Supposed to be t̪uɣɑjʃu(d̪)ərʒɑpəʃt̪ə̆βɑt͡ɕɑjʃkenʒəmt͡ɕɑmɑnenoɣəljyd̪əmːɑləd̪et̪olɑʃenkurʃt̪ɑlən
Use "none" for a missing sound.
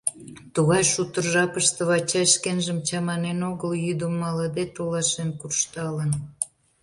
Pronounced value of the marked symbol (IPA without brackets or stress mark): t̪